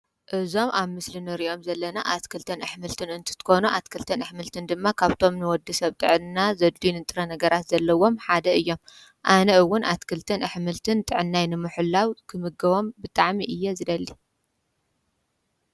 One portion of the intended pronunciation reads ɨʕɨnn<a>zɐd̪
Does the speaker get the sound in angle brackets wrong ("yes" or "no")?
no